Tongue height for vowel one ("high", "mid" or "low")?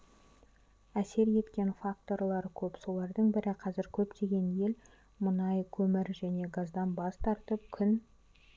low